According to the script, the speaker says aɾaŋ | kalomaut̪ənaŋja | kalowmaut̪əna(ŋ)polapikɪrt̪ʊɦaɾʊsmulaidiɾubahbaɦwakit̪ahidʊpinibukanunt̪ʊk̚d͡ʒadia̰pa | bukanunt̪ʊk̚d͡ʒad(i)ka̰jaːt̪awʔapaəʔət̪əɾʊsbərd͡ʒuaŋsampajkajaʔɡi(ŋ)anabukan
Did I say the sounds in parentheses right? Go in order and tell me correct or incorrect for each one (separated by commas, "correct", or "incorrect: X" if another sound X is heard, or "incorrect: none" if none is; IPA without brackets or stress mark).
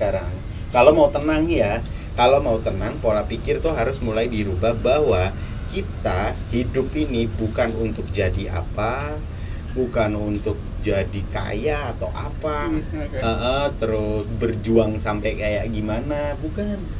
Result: correct, correct, incorrect: m